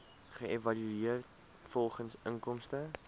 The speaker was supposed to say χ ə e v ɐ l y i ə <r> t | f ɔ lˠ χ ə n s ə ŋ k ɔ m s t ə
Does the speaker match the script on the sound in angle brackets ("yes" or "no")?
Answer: yes